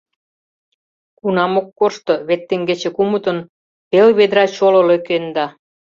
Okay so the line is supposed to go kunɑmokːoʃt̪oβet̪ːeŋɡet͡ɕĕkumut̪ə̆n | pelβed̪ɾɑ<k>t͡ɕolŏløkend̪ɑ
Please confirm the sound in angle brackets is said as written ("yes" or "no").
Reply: no